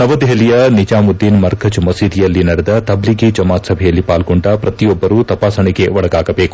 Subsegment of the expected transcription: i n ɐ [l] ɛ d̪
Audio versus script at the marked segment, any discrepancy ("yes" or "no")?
yes